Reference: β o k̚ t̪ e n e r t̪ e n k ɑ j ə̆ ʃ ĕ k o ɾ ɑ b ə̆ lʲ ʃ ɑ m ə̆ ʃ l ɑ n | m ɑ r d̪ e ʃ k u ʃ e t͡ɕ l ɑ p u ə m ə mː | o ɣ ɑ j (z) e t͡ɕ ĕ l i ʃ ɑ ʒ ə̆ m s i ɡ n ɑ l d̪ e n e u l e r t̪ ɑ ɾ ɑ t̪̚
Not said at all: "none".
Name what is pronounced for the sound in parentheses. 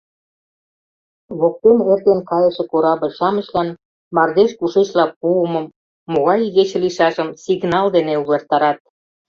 ɣ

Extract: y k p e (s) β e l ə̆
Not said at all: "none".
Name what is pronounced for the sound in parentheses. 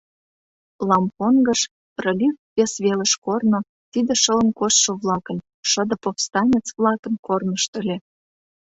s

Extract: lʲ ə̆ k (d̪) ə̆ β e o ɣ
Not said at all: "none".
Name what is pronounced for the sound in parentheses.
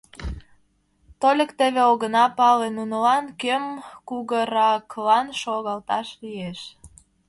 t̪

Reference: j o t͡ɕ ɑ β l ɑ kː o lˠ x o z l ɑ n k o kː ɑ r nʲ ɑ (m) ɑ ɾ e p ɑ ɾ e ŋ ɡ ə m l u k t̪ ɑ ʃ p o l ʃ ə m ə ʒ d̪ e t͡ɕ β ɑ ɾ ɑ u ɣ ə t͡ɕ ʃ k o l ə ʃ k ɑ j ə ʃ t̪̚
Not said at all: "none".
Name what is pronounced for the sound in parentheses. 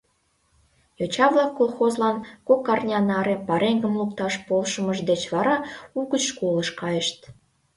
n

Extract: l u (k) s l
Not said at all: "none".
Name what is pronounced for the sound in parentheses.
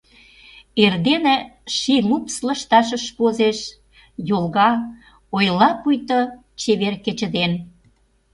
p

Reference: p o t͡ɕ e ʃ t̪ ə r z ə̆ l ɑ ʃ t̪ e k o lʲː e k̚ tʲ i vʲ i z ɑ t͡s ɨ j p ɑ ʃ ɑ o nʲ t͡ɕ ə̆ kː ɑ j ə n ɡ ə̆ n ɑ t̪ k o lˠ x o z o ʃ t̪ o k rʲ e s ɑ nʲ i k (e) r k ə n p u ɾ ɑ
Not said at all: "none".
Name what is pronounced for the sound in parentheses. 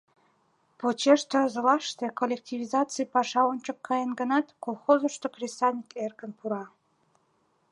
e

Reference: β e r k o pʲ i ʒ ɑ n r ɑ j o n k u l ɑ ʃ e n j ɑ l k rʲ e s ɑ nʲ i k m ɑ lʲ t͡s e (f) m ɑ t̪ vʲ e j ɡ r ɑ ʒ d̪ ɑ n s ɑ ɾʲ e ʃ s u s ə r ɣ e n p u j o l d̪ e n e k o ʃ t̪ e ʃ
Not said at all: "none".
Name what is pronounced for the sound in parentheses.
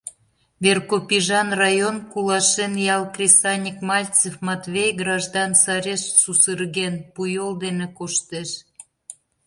f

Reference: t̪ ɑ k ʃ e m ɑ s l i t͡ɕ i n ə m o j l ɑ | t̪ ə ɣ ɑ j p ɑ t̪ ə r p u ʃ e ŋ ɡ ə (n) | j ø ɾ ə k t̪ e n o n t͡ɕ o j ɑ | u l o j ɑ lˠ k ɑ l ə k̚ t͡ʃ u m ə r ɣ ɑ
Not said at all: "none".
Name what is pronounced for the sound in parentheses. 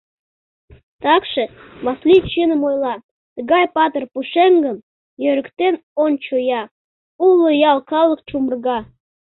m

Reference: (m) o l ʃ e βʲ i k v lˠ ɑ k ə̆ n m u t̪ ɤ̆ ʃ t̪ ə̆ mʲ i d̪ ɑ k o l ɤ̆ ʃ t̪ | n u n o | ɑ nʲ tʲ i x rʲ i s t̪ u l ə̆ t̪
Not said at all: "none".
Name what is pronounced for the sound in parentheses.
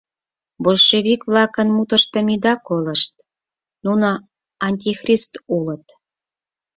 b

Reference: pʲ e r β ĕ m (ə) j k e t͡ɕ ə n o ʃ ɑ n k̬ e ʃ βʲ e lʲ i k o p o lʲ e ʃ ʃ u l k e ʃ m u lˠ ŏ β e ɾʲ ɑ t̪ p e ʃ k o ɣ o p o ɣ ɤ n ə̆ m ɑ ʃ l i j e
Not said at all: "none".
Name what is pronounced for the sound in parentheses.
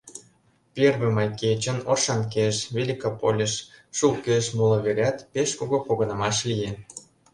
ɑ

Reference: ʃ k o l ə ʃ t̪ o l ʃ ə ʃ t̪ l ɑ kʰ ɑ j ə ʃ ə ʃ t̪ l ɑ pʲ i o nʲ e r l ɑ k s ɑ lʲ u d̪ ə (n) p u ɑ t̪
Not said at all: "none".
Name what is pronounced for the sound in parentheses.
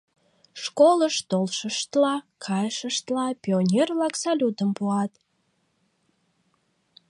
m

